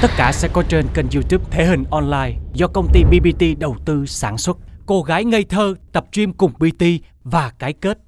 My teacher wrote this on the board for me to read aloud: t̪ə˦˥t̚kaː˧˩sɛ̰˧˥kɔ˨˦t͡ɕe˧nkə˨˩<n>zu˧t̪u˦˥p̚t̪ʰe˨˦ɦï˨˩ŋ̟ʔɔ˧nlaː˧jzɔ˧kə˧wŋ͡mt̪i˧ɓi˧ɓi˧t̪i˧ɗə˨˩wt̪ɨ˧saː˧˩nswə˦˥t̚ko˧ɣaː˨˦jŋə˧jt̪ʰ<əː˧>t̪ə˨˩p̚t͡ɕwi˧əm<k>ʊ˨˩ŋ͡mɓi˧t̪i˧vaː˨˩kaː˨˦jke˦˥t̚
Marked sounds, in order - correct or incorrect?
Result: correct, correct, correct

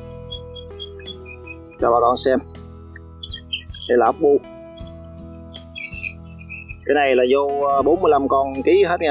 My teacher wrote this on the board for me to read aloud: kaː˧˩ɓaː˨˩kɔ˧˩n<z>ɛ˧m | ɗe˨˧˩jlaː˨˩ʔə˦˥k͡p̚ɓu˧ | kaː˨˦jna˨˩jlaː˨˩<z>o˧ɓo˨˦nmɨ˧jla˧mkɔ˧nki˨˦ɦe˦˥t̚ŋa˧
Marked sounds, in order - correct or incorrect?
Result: incorrect: s, correct

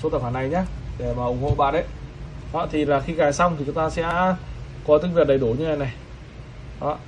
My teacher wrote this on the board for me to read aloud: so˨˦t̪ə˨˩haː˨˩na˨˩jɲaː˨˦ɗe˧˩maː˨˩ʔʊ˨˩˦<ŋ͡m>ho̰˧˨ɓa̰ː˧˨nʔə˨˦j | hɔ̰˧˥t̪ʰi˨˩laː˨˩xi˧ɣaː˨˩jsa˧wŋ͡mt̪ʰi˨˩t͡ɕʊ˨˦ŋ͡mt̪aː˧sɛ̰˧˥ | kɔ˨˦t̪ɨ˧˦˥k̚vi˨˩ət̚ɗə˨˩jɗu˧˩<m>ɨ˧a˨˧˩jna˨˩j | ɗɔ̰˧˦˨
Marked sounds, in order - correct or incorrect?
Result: correct, incorrect: ɲ

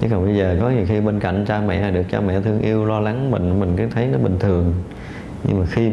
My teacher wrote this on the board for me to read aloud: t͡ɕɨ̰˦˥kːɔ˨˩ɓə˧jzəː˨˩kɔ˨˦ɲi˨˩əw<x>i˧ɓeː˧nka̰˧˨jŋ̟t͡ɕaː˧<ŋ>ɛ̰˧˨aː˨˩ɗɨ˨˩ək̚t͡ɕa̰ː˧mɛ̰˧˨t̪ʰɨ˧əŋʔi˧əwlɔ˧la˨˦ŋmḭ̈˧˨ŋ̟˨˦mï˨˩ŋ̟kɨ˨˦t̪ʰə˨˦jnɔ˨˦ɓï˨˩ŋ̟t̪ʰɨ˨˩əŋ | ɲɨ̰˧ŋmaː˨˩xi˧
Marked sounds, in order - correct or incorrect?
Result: correct, incorrect: m

